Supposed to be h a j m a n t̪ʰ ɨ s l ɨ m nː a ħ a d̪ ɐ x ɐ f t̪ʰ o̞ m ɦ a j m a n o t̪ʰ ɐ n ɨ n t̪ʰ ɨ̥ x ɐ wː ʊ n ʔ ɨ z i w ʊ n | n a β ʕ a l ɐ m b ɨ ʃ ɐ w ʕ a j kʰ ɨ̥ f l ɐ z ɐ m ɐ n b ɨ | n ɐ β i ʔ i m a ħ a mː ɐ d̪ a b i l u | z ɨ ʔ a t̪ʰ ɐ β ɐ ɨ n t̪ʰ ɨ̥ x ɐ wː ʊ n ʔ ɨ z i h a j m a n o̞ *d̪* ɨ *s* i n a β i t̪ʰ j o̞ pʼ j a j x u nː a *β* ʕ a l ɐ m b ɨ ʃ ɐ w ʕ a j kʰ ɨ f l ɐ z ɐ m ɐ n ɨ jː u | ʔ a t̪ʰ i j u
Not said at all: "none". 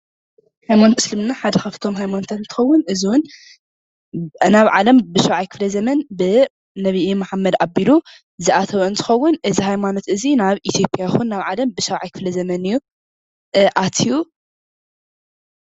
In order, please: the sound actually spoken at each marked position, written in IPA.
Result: t̪, z, β

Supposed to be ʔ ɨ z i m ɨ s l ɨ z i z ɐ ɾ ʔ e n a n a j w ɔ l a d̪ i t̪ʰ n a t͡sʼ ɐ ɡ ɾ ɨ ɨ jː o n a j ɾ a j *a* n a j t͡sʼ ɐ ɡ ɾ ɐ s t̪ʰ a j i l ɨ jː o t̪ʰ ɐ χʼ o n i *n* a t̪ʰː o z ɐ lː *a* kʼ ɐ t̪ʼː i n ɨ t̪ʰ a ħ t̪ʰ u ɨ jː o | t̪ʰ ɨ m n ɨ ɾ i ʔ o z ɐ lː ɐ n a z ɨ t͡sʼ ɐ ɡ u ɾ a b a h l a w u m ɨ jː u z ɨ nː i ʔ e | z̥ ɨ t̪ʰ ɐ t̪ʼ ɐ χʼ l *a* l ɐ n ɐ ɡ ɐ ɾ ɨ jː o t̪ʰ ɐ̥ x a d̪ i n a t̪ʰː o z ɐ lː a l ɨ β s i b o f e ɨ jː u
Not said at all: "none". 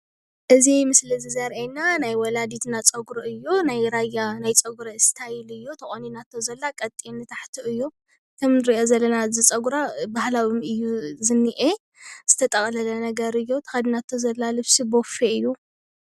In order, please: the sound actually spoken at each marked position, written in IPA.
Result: a, n, a, ɐ

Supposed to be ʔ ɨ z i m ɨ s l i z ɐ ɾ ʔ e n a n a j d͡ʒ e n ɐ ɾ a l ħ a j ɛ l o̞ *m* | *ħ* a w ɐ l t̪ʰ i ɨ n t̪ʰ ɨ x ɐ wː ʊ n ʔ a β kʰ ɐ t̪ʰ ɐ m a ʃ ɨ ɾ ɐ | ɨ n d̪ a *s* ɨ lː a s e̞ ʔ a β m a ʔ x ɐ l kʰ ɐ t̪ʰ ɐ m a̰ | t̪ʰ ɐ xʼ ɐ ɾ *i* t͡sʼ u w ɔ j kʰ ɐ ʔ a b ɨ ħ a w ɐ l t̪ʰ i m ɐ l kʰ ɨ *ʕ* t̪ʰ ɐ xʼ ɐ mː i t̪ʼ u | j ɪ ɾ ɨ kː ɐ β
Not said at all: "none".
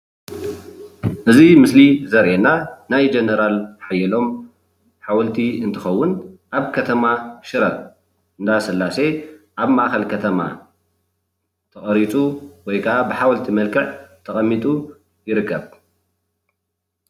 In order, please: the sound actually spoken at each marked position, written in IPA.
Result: m, ħ, s, i, ʕ

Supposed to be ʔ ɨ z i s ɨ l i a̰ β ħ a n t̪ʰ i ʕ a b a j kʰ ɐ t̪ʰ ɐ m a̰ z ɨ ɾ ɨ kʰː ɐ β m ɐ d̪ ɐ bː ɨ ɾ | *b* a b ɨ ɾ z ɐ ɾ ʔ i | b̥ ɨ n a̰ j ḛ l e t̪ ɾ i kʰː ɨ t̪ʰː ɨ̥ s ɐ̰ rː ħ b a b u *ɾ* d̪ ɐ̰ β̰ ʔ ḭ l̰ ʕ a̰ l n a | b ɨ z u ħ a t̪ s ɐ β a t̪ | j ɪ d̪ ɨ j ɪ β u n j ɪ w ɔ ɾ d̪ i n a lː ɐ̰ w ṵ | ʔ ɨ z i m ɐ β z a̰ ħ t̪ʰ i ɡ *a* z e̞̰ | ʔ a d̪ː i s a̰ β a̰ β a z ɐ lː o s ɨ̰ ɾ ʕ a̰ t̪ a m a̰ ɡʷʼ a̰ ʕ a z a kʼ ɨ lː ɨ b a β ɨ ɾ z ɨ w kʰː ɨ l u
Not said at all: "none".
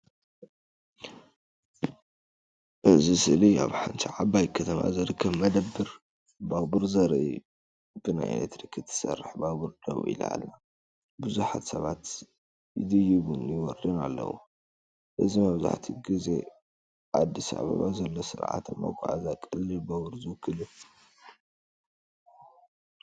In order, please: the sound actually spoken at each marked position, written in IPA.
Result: b, ɾ, i

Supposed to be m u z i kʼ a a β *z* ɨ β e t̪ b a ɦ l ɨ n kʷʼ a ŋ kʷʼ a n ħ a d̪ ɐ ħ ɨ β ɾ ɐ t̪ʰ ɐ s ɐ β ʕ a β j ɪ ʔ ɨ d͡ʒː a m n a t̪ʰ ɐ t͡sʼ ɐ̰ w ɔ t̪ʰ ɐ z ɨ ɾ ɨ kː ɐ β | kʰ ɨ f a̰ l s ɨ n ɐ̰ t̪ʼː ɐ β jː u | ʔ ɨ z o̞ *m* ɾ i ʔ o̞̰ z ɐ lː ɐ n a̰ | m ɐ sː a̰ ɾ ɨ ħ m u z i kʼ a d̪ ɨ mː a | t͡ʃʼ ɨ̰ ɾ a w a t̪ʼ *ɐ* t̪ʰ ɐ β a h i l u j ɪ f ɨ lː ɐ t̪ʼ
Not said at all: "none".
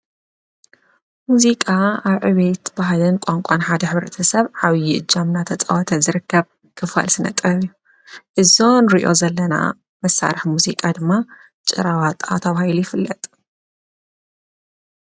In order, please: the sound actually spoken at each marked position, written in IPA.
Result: ʕ, n, a

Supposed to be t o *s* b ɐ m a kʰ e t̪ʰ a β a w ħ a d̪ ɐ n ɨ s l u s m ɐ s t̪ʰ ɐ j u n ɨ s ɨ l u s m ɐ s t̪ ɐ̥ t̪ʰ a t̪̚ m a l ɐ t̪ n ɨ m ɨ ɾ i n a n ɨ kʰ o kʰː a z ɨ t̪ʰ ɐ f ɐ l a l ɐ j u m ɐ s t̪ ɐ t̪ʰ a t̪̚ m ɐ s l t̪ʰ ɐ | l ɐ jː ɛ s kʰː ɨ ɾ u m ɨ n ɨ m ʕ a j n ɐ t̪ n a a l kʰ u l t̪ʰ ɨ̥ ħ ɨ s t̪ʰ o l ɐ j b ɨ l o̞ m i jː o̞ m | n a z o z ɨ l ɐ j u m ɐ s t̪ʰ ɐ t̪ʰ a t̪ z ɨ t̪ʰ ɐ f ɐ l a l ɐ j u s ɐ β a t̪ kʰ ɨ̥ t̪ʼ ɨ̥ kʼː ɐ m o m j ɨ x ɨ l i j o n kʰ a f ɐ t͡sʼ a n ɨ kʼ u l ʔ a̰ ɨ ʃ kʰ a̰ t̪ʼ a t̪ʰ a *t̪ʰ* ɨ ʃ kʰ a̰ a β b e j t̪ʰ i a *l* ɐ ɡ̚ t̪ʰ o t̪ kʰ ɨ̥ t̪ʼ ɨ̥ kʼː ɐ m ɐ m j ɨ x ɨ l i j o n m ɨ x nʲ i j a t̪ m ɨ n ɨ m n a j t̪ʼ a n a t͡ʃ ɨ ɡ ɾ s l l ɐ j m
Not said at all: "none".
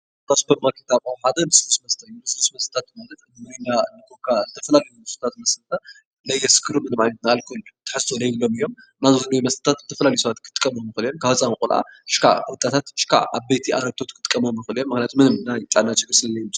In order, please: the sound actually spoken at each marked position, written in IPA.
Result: s, t̪, ɾ

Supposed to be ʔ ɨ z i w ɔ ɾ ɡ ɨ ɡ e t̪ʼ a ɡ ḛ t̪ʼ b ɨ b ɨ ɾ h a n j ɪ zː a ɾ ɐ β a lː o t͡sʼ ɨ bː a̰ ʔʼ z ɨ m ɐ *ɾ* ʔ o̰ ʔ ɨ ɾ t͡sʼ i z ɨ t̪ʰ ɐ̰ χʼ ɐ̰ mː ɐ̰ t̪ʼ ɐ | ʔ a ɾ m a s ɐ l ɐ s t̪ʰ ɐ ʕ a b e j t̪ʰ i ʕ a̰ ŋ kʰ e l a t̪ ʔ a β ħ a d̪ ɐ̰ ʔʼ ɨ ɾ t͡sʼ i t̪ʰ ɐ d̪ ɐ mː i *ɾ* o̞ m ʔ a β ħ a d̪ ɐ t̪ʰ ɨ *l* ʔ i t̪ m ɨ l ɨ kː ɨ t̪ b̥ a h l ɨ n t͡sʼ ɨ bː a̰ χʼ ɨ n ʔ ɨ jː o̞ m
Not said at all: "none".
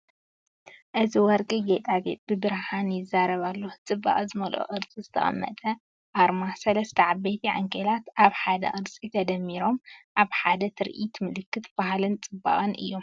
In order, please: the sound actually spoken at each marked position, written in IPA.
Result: l, ɾ, ɾ

